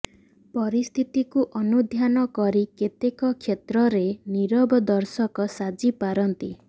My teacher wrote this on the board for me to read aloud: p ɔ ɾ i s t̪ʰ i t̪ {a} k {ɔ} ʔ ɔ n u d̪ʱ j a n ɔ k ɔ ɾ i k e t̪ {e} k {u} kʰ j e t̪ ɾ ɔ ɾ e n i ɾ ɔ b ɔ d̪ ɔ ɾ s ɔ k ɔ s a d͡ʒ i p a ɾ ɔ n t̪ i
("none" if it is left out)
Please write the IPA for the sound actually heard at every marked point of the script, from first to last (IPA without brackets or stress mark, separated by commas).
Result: i, u, e, ɔ